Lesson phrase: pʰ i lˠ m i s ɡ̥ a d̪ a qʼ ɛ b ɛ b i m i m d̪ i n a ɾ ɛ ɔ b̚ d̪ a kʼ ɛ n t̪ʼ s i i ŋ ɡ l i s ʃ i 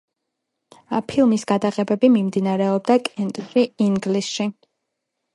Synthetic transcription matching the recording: pʰ i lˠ m i s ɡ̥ a d̪ a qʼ ɛ b ɛ b i m i m d̪ i n a ɾ ɛ ɔ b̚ d̪ a kʼ ɛ n t̪ʼ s i i ŋ ɡ l i s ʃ i